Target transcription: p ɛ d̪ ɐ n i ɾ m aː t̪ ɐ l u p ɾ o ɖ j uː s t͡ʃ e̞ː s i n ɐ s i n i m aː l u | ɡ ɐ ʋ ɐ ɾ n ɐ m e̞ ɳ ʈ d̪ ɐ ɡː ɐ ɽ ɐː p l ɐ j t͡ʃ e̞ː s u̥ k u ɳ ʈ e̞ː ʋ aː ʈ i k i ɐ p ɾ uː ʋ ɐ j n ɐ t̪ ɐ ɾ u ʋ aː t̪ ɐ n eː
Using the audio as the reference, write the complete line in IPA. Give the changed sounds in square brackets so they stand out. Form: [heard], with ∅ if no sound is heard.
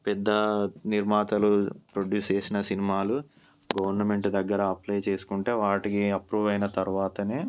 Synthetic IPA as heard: p ɛ [d̪ː] ɐ n i ɾ m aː t̪ ɐ l u p ɾ o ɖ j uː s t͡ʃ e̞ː s i n ɐ s i n i m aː l u | ɡ ɐ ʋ ɐ ɾ n ɐ m e̞ ɳ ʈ d̪ ɐ ɡː ɐ [ɾ] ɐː p l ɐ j t͡ʃ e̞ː s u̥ k u ɳ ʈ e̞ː ʋ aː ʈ i k i ɐ p ɾ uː ʋ ɐ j n ɐ t̪ ɐ ɾ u ʋ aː t̪ ɐ n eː